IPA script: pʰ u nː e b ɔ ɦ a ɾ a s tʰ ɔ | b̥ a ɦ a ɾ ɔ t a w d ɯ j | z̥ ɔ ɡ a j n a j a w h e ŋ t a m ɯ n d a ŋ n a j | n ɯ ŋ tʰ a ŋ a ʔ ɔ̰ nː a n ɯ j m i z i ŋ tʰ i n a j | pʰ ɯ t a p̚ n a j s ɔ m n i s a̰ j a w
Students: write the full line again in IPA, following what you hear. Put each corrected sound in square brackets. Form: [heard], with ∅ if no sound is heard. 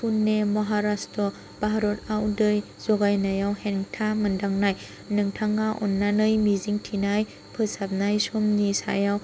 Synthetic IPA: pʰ u nː e [m] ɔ ɦ a ɾ a s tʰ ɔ | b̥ a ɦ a ɾ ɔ t a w d ɯ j | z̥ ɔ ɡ a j n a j a w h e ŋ [tʰ] a m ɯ n d a ŋ n a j | n ɯ ŋ tʰ a ŋ a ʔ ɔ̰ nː a n ɯ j m i z i ŋ tʰ i n a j | pʰ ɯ [s] a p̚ n a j s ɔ m n i s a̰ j a w